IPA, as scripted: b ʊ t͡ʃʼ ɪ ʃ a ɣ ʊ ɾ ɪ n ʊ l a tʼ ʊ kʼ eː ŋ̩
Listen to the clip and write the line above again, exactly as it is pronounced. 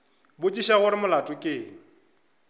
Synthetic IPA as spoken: b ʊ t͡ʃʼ i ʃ a ɣ ʊ ɾ ɪ m ʊ l a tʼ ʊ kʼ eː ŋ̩